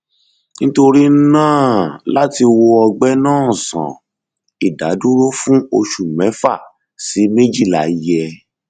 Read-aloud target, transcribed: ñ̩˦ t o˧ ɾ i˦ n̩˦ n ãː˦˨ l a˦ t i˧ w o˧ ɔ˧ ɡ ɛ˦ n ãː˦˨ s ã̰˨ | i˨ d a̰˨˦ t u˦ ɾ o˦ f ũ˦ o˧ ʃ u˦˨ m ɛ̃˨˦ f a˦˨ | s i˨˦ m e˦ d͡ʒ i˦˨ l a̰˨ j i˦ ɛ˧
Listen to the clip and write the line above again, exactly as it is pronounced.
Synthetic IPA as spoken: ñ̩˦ t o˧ ɾ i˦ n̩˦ n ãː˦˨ l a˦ t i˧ w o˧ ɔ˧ ɡ͡b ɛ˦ n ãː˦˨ s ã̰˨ | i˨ d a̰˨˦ d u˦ ɾ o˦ f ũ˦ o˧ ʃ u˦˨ m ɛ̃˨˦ f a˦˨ | s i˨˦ m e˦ d͡ʒ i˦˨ l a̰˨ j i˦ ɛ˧